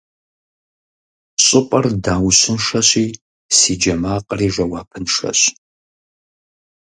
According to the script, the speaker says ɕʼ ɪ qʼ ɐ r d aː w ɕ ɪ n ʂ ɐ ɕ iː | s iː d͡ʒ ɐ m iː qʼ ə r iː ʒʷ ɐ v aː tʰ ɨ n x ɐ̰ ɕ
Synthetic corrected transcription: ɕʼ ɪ pʼ ɐ r d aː w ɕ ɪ n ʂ ɐ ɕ iː | s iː d͡ʒ ɐ m aː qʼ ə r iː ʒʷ ɐ w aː pʰ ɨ n ʂ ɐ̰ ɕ